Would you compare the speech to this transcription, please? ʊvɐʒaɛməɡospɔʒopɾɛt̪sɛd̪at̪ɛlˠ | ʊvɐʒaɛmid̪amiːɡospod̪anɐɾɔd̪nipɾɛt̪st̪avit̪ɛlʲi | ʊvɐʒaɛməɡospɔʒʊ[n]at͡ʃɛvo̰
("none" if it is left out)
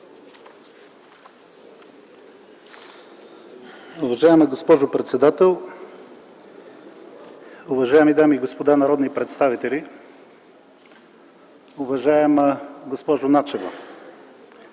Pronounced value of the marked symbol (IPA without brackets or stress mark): n